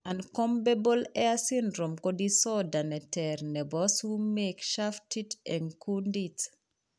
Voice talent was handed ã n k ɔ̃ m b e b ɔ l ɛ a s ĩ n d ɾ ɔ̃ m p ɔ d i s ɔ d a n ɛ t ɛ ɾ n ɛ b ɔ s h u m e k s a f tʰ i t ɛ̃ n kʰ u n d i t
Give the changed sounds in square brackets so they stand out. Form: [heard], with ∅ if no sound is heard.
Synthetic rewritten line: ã n k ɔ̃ m b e b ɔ l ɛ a s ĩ n d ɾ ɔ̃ m [k] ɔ d i s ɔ d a n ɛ t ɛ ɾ n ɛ b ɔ s h u m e k [ʃ] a f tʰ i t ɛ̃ n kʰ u n d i t